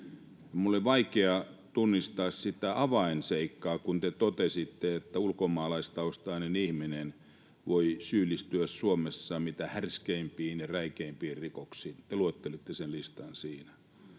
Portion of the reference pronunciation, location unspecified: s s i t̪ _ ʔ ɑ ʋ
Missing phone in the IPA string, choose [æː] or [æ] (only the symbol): æ